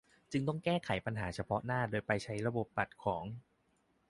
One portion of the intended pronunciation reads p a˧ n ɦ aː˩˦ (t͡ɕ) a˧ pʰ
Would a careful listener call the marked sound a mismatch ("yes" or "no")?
yes